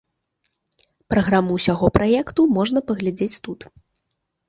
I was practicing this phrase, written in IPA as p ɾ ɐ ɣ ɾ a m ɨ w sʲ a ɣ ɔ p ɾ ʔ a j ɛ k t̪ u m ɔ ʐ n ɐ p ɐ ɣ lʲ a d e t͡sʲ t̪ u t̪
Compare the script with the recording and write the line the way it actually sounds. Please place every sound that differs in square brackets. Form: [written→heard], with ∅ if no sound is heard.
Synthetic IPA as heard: p ɾ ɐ ɣ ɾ a m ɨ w sʲ a ɣ ɔ p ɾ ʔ a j ɛ k t̪ u m ɔ ʐ n ɐ p ɐ ɣ lʲ a [d→d͡zʲ] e t͡sʲ t̪ u t̪